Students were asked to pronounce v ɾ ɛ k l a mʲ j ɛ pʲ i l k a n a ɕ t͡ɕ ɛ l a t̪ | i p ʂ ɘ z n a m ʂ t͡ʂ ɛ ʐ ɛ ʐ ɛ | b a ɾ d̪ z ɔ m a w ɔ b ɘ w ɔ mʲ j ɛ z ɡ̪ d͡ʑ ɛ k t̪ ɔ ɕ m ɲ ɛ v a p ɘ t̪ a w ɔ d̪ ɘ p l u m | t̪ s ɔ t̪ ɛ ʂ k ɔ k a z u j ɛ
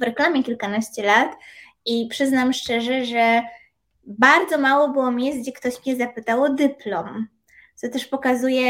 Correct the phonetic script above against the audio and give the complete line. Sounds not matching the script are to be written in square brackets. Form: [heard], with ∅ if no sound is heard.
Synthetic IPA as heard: v ɾ ɛ k l a mʲ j ɛ [kʲ] i l k a n a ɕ t͡ɕ ɛ l a t̪ | i p ʂ ɘ z n a m ʂ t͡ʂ ɛ ʐ ɛ ʐ ɛ | b a ɾ d̪ z ɔ m a w ɔ b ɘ w ɔ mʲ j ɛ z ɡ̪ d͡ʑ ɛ k t̪ ɔ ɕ m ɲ ɛ [z] a p ɘ t̪ a w ɔ d̪ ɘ p l [ɔ] m | t̪ s ɔ t̪ ɛ ʂ [p] ɔ k a z u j ɛ